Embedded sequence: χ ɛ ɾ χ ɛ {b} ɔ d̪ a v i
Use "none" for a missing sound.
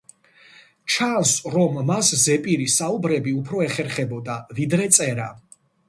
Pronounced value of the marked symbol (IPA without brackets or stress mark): b